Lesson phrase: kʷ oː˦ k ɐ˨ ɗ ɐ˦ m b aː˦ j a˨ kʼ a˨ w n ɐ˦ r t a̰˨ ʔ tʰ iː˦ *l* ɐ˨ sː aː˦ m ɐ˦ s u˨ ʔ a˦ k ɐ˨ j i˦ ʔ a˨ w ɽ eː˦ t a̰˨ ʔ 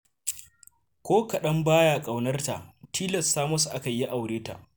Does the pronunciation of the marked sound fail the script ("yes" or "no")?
no